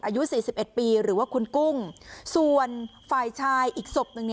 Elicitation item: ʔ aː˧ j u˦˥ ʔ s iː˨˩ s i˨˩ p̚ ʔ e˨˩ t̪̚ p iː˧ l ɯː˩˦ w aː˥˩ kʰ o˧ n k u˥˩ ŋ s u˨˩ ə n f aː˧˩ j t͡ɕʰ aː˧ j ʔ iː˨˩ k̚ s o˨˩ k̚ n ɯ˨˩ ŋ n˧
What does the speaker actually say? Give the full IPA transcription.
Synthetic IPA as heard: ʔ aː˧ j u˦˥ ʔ s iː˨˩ s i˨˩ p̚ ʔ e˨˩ t̪̚ p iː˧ ɾ ɯː˩˦ w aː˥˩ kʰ u˧ n k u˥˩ ŋ s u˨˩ ə n f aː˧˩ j t͡ɕʰ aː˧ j ʔ iː˨˩ k̚ s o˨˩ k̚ n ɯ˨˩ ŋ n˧

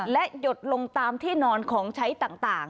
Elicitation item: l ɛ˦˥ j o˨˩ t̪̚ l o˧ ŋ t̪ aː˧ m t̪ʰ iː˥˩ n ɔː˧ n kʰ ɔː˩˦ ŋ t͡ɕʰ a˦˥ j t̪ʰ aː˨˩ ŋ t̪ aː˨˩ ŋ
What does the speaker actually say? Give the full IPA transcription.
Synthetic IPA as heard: l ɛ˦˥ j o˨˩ t̪̚ l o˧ ŋ t̪ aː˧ m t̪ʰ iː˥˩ n ɔː˧ n kʰ ɔː˩˦ ŋ t͡ɕʰ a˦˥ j t̪ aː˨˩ ŋ t̪ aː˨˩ ŋ

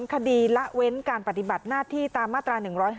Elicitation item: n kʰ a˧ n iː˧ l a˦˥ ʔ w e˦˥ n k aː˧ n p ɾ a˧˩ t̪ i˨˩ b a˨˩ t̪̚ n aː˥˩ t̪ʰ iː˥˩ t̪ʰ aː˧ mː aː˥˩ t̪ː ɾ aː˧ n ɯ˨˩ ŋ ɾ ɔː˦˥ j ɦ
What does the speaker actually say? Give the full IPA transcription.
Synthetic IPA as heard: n kʰ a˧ d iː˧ l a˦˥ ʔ w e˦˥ n k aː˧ n p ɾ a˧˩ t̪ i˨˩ b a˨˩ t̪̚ n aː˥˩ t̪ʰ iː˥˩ t̪ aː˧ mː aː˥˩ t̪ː ɾ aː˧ n ɯ˨˩ ŋ ɾ ɔː˦˥ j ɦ

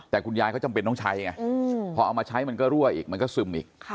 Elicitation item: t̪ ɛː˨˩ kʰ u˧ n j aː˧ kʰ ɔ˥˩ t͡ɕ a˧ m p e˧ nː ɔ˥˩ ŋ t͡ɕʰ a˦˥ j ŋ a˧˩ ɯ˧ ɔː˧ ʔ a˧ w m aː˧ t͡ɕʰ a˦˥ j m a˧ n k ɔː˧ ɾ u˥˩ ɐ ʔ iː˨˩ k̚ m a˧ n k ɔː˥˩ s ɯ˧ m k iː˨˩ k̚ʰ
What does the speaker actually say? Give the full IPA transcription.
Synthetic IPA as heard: t̪ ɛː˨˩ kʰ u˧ n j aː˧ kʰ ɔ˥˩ t͡ɕ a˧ m p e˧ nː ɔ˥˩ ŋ t͡ɕʰ a˦˥ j ŋ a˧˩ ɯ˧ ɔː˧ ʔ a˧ w m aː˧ t͡ɕʰ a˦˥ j m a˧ n k ɔː˥˩ ɾ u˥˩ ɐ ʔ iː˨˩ k̚ m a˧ n k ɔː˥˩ s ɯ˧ m ʔ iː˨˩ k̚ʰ

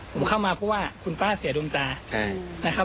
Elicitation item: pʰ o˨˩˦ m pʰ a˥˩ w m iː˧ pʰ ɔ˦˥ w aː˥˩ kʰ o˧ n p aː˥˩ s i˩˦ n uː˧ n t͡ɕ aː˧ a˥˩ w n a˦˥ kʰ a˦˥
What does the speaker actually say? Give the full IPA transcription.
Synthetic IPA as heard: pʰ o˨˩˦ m kʰ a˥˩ w m aː˧ pʰ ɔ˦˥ w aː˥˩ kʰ u˧ n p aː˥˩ s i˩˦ d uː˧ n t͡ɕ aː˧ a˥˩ n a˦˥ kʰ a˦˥

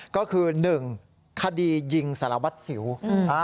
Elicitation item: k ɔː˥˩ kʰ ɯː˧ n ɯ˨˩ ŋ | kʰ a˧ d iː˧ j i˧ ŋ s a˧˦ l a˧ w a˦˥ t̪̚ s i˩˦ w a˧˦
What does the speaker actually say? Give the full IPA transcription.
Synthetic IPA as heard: k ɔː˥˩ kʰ ɯː˧ n ɯ˨˩ ŋ | kʰ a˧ d iː˧ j i˧ ŋ s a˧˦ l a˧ w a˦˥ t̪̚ s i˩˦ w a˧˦

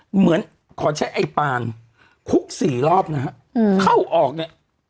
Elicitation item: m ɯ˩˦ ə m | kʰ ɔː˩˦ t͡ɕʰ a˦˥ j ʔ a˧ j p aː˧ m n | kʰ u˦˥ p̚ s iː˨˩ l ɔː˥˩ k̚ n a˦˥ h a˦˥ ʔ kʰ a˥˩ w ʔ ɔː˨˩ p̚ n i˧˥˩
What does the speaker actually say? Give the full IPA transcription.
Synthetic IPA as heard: m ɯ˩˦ ə n | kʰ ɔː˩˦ t͡ɕʰ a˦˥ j ʔ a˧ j p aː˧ n | kʰ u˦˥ k̚ s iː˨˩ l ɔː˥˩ p̚ n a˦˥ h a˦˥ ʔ kʰ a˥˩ w ʔ ɔː˨˩ k̚ n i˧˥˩

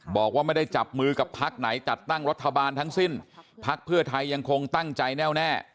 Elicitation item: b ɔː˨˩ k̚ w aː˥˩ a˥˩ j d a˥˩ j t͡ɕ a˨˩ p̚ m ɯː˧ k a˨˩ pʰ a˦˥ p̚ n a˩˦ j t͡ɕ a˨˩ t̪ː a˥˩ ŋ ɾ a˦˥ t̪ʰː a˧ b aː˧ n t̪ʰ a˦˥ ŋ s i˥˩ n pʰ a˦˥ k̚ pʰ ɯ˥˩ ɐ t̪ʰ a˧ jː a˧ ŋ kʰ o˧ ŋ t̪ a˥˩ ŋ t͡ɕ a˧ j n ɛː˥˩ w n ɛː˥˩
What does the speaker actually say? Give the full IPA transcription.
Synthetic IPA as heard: b ɔː˨˩ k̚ w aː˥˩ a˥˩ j d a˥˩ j t͡ɕ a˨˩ p̚ m ɯː˧ k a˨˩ pʰ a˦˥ k̚ n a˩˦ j t͡ɕ a˨˩ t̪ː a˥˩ ŋ ɾ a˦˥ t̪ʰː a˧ b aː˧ n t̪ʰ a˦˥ ŋ s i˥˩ n pʰ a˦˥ k̚ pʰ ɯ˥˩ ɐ t̪ʰ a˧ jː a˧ ŋ kʰ o˧ ŋ t̪ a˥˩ ŋ t͡ɕ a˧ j n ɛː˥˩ w n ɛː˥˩

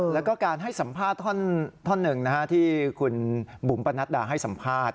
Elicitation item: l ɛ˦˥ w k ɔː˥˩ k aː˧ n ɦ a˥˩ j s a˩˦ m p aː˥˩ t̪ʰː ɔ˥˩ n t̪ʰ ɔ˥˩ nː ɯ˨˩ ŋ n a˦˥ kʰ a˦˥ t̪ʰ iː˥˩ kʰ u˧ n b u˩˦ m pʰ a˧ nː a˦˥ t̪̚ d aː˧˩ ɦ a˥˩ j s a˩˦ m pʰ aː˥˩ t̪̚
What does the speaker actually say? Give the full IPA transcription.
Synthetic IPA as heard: l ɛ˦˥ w k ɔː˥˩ k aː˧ n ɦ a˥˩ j s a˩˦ m pʰ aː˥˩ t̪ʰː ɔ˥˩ n t̪ʰ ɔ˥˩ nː ɯ˨˩ ŋ n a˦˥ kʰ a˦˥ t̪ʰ iː˥˩ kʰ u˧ n b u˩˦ m p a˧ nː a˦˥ t̪̚ d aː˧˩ ɦ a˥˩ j s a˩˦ m pʰ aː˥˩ t̪̚

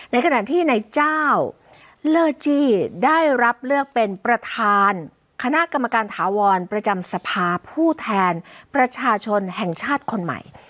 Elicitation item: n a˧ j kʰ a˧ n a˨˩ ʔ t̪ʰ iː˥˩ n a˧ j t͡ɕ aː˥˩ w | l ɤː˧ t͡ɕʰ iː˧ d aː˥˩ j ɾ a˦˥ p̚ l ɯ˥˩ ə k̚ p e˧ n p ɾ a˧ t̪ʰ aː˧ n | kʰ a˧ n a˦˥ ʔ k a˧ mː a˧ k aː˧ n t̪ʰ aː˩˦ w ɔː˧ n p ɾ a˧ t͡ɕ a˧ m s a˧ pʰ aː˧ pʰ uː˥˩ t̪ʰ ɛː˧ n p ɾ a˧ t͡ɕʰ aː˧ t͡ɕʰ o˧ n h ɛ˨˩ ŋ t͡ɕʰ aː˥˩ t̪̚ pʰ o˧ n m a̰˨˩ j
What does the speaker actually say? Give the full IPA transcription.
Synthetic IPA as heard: n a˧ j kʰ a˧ n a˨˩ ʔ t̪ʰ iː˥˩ n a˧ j t͡ɕ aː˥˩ w | l ɤː˧ t͡ɕ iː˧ d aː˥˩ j ɾ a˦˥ p̚ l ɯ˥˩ ə k̚ p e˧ n p ɾ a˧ t̪ʰ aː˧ n | kʰ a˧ n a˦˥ ʔ k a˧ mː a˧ k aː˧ n t̪ʰ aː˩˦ w ɔː˧ n p ɾ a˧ t͡ɕ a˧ m s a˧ pʰ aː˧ pʰ uː˥˩ t̪ʰ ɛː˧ n p ɾ a˧ t͡ɕʰ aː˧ t͡ɕʰ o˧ n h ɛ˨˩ ŋ t͡ɕʰ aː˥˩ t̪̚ kʰ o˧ n m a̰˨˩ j

